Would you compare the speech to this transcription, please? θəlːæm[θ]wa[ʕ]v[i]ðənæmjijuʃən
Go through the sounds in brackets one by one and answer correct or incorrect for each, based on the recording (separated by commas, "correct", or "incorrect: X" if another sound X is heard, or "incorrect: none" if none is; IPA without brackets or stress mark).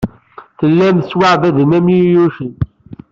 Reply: incorrect: s, correct, incorrect: æ